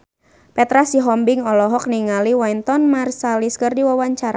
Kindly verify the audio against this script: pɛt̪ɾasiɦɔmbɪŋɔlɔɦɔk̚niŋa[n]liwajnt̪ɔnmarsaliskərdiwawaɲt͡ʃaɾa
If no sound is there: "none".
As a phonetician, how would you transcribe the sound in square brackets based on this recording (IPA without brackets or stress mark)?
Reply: none